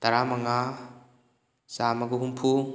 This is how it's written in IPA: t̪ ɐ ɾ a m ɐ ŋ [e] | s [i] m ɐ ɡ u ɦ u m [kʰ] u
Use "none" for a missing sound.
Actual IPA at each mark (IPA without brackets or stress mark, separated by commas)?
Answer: a, a, pʰ